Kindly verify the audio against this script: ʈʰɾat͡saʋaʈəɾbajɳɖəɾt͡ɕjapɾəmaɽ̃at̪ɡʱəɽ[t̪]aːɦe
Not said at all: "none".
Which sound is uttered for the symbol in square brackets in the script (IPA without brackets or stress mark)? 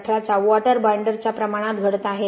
t̪